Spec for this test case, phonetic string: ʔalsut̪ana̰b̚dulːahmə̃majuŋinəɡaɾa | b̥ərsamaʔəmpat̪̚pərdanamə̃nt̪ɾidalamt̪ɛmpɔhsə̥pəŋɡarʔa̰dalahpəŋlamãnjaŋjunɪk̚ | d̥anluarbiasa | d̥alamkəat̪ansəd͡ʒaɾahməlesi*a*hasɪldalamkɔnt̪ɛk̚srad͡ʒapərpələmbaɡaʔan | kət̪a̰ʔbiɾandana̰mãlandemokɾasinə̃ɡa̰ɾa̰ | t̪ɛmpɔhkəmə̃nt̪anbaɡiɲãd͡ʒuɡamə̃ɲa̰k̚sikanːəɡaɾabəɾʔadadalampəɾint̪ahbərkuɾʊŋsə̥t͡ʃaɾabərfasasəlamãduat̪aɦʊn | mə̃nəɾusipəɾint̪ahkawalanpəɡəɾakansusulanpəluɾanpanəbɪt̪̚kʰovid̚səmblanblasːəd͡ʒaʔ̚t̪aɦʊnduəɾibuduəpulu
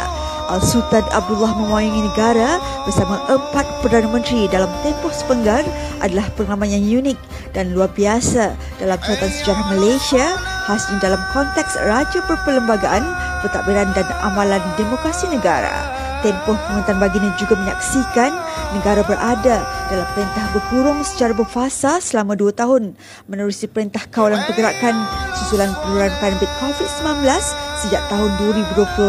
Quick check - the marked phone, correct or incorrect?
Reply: correct